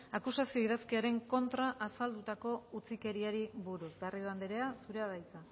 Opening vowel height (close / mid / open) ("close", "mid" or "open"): open